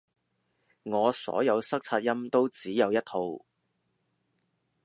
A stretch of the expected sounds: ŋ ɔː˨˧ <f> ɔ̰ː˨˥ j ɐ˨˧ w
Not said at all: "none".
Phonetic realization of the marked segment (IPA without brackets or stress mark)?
s